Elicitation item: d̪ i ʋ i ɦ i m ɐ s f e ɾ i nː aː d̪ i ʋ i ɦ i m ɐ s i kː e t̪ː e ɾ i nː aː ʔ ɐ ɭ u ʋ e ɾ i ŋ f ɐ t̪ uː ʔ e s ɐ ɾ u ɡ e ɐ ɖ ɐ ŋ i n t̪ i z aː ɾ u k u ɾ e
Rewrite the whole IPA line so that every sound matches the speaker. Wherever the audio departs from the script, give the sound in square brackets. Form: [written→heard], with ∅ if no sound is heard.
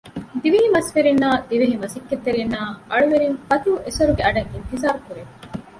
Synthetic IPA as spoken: d̪ i ʋ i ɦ i m ɐ s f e ɾ i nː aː d̪ i ʋ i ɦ i m ɐ s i kː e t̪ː e ɾ i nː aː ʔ ɐ ɭ u ʋ e ɾ i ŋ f ɐ t̪ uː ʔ e s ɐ ɾ u ɡ e ɐ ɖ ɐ ŋ i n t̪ i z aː ɾ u k u ɾ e